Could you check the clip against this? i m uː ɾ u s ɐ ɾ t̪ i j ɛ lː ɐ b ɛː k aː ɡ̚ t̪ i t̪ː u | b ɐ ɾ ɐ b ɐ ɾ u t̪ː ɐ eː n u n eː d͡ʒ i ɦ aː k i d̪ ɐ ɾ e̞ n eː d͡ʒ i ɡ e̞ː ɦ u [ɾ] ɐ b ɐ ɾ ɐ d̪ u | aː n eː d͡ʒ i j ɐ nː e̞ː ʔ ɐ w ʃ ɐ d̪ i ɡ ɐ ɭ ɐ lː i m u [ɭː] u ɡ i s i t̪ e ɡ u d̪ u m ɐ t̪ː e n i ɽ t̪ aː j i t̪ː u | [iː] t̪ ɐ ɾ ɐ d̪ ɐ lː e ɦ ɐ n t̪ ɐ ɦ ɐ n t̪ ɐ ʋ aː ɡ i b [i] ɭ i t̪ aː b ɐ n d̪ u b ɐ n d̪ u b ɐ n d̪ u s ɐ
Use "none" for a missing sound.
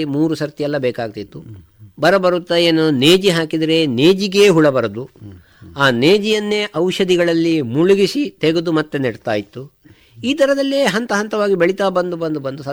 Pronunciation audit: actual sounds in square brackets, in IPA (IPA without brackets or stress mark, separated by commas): ɭ, ɭ, iː, e